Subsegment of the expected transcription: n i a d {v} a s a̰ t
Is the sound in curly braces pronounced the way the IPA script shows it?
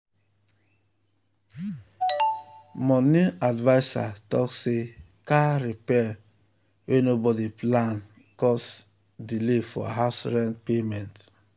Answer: yes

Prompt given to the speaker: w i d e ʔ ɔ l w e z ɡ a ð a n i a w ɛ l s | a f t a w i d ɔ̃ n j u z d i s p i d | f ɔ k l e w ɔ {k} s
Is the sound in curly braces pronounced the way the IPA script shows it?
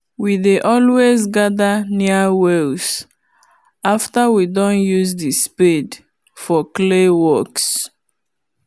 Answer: yes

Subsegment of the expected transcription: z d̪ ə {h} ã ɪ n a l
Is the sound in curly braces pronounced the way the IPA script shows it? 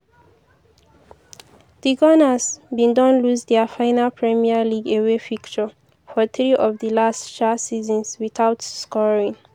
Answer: no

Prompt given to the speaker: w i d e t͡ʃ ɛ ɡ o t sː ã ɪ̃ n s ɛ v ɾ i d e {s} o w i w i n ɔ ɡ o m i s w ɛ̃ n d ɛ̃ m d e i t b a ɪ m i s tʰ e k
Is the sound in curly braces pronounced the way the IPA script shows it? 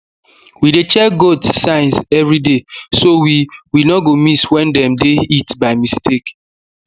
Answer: yes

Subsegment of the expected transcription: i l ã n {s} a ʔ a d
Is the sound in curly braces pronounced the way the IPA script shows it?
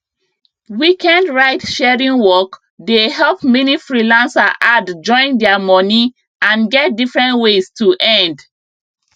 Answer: yes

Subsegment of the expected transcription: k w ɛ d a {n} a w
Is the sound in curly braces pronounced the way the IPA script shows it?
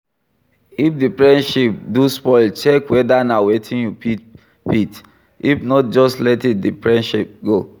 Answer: yes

